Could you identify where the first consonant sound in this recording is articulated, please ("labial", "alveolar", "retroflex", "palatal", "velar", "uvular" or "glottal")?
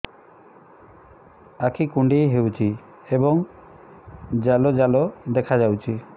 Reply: velar